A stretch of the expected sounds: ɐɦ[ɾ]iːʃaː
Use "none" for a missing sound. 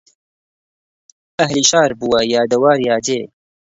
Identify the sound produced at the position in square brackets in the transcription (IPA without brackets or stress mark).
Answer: l